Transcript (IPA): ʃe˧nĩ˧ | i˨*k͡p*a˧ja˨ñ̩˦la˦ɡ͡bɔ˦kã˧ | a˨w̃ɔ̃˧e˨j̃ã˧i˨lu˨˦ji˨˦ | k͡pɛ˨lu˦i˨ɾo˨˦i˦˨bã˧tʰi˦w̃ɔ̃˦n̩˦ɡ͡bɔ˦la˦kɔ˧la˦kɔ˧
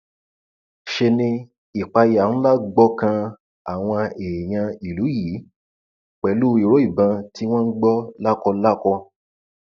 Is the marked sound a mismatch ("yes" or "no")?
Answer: no